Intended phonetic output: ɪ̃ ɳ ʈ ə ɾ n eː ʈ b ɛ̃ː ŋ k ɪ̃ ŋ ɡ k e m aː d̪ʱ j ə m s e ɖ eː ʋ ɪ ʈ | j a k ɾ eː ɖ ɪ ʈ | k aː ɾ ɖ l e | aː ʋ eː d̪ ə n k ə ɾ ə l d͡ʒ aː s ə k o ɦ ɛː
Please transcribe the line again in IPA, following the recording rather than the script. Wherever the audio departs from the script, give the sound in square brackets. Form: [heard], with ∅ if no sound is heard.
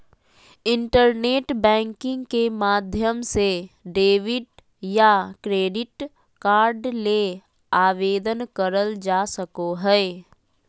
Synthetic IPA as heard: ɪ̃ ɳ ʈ ə ɾ n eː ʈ b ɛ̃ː ŋ k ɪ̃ ŋ ɡ k e m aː d̪ʱ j ə m s e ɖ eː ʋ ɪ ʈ | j a k ɾ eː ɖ ɪ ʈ | k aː ɾ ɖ l e | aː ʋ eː d̪ ə n k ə ɾ ə l d͡ʒ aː s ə k o ɦ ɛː